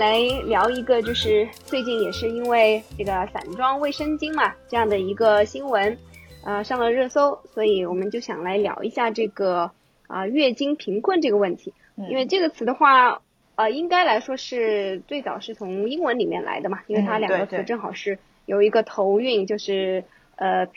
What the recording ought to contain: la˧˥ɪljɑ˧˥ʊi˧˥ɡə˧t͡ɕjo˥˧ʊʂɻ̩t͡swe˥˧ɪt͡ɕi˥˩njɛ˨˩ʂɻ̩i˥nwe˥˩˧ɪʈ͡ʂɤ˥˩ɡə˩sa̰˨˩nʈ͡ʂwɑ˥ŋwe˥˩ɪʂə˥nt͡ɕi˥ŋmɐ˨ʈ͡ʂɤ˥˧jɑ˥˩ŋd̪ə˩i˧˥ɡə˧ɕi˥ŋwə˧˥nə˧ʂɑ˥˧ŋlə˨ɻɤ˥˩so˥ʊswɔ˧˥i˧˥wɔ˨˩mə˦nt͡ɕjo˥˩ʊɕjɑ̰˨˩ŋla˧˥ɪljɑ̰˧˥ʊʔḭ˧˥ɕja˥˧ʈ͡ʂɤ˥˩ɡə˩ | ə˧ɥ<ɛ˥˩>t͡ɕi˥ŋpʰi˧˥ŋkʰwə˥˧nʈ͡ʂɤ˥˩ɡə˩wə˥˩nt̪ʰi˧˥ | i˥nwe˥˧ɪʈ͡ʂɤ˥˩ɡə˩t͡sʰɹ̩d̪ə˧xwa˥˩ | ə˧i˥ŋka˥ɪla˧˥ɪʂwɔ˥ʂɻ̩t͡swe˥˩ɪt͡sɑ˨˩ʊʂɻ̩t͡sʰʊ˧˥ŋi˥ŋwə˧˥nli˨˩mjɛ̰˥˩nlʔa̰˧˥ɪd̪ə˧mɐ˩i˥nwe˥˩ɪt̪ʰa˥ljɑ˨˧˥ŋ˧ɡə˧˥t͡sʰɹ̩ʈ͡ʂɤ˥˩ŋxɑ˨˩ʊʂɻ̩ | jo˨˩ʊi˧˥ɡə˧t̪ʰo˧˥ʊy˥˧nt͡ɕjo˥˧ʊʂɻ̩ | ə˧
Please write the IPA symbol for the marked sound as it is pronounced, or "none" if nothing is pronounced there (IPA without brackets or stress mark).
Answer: ɛ˥˩